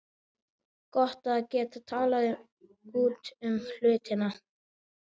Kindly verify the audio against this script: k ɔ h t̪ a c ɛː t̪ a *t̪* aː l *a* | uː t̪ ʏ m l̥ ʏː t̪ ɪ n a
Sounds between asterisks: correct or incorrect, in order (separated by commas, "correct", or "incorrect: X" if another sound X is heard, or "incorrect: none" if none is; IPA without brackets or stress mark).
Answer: incorrect: t̪ʰ, correct